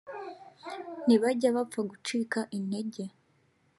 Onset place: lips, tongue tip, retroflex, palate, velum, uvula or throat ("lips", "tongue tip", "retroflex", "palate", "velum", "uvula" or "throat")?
tongue tip